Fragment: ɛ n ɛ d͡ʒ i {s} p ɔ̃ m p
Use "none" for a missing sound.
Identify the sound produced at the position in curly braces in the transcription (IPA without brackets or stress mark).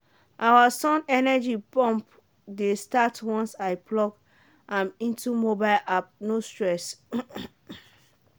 none